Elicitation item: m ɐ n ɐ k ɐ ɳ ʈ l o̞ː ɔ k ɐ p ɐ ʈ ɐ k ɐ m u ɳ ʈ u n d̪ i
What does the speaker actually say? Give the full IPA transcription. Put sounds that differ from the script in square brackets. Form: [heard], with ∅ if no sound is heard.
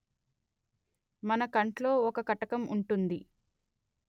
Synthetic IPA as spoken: m ɐ n ɐ k ɐ ɳ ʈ l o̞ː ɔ k ɐ [k] ɐ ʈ ɐ k ɐ m u ɳ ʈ u n d̪ i